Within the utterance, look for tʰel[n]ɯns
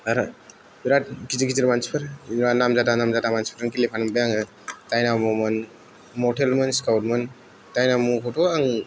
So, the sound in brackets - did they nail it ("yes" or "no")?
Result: no